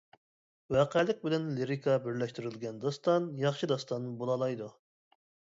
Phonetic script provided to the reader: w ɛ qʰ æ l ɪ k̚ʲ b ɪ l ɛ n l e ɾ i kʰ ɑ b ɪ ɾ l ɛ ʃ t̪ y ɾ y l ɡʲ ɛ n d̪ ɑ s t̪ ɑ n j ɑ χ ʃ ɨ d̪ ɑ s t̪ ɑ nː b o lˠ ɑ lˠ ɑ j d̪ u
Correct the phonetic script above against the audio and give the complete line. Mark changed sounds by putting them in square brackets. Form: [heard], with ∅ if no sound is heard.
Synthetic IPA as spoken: w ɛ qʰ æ l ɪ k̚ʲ b ɪ l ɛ n l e ɾ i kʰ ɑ b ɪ ɾ l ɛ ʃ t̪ y ɾ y l ɡʲ ɛ n d̪ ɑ s t̪ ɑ n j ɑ χ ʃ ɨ d̪ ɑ s t̪ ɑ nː b o lˠ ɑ lˠ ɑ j d̪ u